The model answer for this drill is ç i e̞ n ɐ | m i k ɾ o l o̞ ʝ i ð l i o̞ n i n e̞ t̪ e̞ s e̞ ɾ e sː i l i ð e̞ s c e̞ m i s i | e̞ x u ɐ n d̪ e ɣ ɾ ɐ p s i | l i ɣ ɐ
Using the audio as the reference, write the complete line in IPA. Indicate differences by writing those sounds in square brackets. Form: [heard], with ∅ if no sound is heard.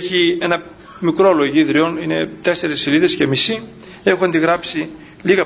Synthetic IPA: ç i e̞ n ɐ | m i k ɾ o l o̞ ʝ i ð [ɾ] i o̞ n i n e̞ t̪ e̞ s e̞ ɾ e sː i l i ð e̞ s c e̞ m i s i | e̞ x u ɐ n d̪ [i] ɣ ɾ ɐ p s i | l i ɣ ɐ